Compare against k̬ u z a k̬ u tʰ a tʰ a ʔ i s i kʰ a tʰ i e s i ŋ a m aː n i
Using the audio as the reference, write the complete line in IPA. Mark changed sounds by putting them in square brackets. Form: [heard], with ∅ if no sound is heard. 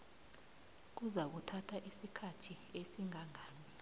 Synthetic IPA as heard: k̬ u z a k̬ u tʰ a tʰ a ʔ i s i kʰ a tʰ i e s i ŋ a [ŋ] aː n i